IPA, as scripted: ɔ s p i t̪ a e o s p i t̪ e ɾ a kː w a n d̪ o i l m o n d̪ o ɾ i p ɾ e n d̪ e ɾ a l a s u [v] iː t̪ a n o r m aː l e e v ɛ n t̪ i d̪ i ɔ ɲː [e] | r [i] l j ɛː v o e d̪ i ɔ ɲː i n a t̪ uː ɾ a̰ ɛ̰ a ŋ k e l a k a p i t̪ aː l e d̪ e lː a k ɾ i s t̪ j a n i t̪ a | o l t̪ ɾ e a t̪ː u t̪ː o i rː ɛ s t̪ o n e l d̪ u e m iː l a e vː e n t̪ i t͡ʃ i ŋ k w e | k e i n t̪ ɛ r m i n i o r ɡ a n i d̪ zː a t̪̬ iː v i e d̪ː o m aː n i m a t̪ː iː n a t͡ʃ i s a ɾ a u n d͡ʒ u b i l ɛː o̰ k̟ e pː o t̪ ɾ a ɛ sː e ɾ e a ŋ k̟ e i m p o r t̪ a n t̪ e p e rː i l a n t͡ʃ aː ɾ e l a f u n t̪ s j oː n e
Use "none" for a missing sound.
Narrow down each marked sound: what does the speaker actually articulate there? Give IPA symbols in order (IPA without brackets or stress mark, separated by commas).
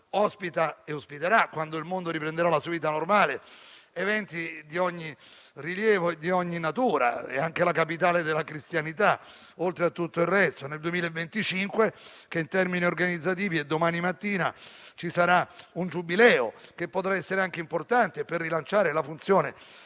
v, i, i